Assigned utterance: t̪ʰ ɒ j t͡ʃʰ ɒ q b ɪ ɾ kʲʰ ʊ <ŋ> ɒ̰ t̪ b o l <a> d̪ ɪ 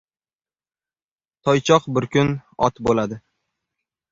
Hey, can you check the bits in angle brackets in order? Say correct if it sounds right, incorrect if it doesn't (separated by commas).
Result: incorrect, correct